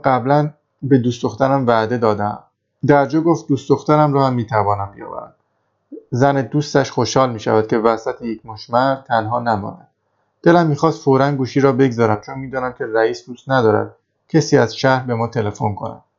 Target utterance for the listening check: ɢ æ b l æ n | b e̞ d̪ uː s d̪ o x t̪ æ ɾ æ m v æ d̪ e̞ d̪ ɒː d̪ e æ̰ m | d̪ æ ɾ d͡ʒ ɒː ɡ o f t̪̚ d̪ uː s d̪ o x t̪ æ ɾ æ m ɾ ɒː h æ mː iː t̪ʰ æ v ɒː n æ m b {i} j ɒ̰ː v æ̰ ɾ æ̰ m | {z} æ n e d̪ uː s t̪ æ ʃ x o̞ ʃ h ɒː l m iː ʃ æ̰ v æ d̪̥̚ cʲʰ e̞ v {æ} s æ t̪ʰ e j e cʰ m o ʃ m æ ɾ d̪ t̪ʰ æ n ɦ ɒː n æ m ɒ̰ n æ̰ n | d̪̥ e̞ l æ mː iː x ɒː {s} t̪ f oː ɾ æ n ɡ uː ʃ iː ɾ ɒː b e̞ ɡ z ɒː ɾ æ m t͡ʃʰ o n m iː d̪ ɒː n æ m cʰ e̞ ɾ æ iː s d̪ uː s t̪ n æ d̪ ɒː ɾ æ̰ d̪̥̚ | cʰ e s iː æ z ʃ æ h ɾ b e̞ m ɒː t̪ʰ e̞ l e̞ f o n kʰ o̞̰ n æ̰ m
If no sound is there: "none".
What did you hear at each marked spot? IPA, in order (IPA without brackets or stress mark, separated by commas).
i, z, æ, s